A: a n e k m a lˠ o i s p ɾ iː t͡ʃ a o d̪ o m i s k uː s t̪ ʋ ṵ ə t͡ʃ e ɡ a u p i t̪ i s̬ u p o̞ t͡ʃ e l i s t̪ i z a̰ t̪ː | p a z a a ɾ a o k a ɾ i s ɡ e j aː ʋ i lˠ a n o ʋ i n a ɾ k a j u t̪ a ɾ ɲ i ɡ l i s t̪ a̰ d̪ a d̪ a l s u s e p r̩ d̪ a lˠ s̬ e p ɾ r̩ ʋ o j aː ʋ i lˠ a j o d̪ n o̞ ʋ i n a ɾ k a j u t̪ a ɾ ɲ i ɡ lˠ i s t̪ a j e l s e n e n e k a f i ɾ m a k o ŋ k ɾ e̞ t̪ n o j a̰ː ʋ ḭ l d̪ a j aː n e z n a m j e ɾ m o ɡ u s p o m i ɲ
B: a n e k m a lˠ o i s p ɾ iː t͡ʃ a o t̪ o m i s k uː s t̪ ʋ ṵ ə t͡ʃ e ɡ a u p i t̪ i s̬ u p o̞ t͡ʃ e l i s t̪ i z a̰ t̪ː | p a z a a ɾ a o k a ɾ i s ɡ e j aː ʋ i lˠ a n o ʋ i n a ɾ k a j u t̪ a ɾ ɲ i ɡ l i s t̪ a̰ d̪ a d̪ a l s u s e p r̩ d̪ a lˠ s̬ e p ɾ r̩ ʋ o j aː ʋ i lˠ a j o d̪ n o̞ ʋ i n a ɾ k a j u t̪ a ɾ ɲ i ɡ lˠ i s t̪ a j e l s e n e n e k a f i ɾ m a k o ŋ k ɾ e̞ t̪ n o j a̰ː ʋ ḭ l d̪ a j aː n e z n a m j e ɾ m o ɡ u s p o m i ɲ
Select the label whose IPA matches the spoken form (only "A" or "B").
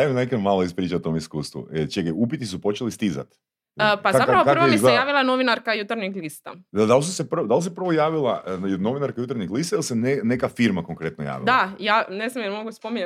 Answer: B